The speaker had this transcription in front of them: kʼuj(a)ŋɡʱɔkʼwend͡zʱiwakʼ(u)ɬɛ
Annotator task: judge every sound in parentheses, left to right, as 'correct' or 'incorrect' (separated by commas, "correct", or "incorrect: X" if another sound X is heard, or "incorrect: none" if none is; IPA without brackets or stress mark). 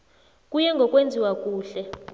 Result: incorrect: ɛ, incorrect: uː